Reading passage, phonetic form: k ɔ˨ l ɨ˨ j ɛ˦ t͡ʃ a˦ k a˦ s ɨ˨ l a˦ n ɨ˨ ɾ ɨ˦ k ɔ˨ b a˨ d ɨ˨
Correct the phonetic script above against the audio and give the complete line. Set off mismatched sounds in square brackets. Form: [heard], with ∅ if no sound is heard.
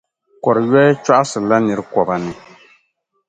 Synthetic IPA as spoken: k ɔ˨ [ɾ] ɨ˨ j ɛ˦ t͡ʃ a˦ [ʔ] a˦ s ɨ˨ l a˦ n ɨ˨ ɾ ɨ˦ k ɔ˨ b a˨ [n] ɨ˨